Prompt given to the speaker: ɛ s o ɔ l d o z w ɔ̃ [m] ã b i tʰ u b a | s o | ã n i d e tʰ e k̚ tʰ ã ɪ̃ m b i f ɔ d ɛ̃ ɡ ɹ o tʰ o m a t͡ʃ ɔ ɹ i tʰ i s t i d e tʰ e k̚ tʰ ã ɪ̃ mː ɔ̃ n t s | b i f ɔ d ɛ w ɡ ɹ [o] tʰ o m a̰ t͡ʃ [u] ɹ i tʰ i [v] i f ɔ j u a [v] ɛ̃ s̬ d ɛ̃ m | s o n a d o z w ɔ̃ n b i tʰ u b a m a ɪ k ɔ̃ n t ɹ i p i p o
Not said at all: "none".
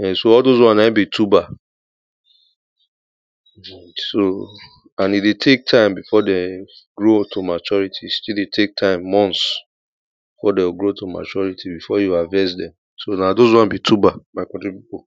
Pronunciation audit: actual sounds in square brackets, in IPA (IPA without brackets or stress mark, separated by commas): n, o, ɔ, b, v